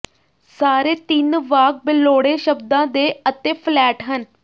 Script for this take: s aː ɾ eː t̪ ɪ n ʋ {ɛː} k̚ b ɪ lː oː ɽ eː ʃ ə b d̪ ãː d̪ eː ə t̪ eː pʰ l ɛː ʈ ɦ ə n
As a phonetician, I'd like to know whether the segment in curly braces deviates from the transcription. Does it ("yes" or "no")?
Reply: yes